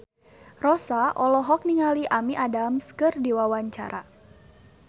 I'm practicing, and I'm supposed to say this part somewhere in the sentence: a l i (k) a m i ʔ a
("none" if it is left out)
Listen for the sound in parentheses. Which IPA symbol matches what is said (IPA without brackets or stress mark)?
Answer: ʔ